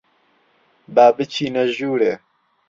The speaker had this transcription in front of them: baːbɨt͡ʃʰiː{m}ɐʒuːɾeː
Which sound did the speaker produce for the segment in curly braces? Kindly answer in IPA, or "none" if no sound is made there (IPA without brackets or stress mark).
n